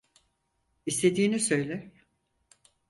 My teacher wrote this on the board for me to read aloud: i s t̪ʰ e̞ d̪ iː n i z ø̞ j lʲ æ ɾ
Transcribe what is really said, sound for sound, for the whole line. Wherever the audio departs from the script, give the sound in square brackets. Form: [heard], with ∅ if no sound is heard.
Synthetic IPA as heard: i s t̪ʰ e̞ d̪ iː n i [s] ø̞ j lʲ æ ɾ